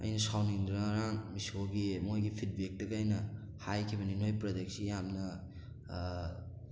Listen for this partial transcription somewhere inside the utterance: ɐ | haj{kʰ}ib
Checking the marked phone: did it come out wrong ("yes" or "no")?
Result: no